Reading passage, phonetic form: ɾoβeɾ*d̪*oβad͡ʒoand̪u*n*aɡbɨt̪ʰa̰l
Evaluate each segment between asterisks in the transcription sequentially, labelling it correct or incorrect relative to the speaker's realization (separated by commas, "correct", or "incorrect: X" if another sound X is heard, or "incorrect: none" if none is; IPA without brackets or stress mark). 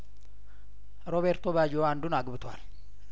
incorrect: t̪, correct